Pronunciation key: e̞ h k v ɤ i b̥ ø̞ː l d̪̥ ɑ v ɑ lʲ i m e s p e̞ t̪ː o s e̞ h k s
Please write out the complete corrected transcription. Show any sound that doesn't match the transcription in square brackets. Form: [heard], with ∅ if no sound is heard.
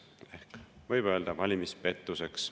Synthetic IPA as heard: e̞ h k v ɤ [j] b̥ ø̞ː l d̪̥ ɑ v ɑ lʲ i m [i] s p e̞ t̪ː [u] s e̞ [∅] k s